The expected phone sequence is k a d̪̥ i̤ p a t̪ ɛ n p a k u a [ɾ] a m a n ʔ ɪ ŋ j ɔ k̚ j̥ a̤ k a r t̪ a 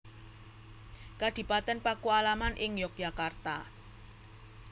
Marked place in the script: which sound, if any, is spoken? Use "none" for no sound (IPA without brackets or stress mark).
l